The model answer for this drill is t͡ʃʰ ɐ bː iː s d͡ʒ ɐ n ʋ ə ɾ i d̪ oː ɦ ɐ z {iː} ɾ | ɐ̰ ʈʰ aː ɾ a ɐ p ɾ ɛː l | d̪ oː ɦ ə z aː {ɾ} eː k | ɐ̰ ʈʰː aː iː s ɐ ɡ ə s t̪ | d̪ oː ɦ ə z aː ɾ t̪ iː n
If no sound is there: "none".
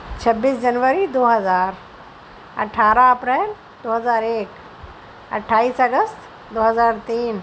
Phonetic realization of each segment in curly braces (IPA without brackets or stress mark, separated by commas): aː, ɾ